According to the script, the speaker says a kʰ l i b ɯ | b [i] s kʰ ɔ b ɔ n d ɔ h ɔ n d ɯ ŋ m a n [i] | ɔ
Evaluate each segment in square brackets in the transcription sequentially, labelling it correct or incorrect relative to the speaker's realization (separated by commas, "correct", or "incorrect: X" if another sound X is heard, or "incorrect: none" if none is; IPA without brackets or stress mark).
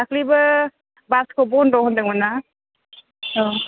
incorrect: a, incorrect: a